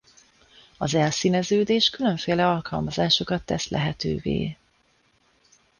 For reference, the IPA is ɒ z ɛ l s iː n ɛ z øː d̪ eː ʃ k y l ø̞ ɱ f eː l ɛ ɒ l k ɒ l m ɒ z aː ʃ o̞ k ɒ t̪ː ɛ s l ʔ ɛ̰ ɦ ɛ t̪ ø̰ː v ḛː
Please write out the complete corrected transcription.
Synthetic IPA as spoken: ɒ z ɛ l s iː n ɛ z øː d̪ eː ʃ k y l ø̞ ɱ f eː l ɛ ɒ l k ɒ l m ɒ z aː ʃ o̞ k ɒ t̪ː ɛ s l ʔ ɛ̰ ɦ ɛ t̪ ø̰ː v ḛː